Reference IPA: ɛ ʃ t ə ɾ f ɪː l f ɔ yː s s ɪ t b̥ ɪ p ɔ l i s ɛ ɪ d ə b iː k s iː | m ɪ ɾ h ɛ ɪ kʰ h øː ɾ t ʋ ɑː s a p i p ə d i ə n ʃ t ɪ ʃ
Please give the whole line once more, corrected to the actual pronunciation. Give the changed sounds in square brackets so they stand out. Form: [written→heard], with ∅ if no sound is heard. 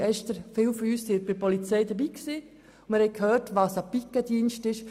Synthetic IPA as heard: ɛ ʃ t ə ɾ f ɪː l f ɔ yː s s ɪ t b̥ ɪ p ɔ l i [s→t͡s] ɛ ɪ d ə b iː k s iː | m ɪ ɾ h ɛ ɪ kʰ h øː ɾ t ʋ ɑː s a p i [p→k] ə d i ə n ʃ t ɪ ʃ